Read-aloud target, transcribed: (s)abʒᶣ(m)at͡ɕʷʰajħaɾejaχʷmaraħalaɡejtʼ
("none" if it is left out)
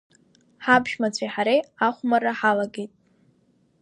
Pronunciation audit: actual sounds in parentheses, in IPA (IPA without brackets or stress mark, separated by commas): ħ, m